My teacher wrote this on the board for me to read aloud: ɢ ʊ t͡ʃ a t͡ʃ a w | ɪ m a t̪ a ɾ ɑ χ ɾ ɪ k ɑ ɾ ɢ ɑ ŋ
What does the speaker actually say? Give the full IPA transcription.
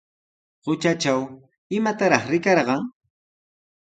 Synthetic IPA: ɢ ʊ t͡ʃ a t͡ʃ a w | ɪ m a t̪ a ɾ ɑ χ ɾ ɪ k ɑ ɾ ɢ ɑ ŋ